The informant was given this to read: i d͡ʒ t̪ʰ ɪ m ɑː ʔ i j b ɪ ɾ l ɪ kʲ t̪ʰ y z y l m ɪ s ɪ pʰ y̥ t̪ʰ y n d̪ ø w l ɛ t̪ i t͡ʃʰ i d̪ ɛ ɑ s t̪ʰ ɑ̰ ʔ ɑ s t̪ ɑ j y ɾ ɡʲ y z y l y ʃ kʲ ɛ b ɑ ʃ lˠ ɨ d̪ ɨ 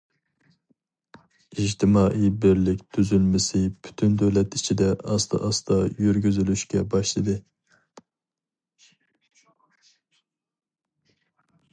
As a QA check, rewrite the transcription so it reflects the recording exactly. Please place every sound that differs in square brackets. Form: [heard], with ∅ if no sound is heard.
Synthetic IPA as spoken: i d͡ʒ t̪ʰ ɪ m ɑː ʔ i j b ɪ ɾ l ɪ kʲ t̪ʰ y z y l m ɪ s ɪ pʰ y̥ t̪ʰ y n d̪ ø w l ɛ t̪ i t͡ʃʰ i d̪ ɛ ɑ s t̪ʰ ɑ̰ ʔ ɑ s t̪ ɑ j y ɾ ɡʲ y z y l y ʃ kʲ ɛ b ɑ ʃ lˠ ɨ d̪ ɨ